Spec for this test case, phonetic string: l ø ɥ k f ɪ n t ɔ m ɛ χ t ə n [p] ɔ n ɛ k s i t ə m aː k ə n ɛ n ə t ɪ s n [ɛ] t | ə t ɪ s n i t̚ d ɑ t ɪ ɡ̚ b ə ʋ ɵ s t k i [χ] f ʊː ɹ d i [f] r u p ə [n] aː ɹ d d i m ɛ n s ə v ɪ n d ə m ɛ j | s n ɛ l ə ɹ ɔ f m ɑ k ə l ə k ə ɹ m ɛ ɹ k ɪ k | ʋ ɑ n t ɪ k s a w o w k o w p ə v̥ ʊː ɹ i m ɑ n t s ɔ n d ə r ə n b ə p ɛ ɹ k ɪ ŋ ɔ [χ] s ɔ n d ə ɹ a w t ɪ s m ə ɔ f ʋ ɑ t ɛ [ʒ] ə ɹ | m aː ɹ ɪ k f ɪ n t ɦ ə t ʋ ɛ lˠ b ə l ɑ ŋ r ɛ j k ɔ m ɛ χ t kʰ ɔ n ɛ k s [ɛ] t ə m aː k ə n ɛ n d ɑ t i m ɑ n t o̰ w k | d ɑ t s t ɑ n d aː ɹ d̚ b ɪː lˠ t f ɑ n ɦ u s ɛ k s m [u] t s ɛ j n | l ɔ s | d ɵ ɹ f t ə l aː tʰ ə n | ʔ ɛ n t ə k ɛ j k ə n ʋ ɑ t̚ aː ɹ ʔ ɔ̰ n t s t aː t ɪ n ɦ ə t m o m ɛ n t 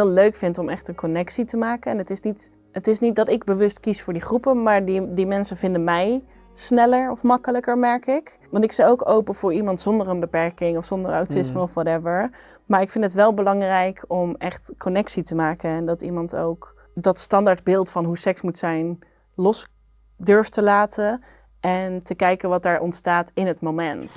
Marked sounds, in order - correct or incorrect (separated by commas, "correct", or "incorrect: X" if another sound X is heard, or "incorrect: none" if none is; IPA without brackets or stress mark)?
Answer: incorrect: k, incorrect: i, incorrect: s, incorrect: χ, incorrect: m, incorrect: f, incorrect: v, incorrect: i, correct